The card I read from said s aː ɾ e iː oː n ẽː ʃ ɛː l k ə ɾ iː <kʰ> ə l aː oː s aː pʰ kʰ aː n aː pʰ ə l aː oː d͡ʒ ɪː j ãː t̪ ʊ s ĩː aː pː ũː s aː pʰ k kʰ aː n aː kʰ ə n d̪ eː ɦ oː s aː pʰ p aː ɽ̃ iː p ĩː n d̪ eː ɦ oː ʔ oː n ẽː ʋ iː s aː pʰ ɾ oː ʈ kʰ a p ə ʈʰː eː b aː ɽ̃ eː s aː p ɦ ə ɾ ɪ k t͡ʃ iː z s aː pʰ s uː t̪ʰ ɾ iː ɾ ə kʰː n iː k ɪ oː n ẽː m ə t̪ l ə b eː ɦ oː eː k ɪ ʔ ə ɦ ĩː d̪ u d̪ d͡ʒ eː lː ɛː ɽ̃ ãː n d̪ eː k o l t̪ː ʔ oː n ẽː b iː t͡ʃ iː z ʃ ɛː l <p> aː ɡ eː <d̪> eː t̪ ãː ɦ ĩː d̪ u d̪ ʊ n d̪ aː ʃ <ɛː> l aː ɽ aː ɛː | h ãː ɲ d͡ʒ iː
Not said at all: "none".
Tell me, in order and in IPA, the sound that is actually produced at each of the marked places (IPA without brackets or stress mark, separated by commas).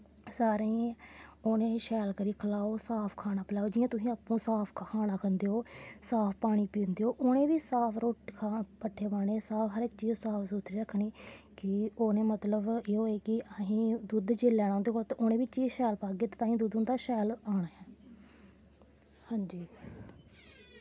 kʰ, p, t̪, ɛː